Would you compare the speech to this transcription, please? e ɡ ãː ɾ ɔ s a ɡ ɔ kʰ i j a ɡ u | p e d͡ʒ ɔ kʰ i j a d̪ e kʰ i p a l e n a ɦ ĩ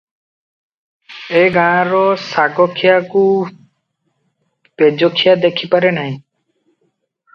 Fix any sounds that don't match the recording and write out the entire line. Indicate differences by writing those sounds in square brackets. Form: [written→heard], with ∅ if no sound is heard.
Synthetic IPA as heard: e ɡ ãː ɾ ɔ s a ɡ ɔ kʰ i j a [ɡ→k] u | p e d͡ʒ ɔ kʰ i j a d̪ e kʰ i p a [l→ɾ] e n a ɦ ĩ